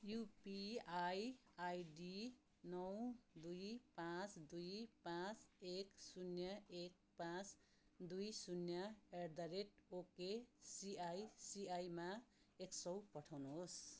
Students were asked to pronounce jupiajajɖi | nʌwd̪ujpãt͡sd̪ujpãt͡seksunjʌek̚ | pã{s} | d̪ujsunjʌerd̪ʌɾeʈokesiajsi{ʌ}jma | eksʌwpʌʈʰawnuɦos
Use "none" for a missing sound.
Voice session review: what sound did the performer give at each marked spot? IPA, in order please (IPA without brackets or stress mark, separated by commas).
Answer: t͡s, a